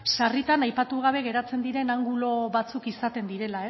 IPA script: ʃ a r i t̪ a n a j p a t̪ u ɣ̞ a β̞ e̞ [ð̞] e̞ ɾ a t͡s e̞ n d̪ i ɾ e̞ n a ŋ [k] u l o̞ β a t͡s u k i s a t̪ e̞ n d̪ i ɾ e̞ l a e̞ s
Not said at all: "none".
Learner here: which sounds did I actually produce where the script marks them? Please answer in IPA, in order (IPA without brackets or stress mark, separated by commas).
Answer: ɣ̞, ɡ